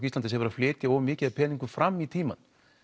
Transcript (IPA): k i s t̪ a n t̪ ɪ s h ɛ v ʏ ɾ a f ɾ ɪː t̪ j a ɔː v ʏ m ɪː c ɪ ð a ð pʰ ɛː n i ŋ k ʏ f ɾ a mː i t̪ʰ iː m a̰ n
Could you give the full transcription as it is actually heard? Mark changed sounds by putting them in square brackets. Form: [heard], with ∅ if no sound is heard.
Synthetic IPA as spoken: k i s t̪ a n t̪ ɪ s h ɛ v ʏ ɾ a f [l] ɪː t̪ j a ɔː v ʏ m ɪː c ɪ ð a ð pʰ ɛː n i ŋ k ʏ f ɾ a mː i t̪ʰ iː m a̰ n